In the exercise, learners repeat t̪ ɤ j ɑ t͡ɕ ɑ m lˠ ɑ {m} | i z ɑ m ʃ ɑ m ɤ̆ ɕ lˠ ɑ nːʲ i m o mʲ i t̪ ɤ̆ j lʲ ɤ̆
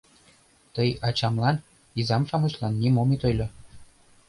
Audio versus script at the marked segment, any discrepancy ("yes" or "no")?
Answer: yes